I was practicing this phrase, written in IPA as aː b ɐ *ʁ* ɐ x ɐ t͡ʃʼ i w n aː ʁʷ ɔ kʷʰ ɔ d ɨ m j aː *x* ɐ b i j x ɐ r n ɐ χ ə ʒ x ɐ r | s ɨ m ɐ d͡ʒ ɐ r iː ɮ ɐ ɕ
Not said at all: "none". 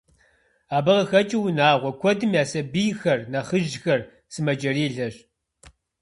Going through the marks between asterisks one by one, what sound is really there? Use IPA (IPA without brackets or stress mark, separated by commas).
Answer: ʁ, s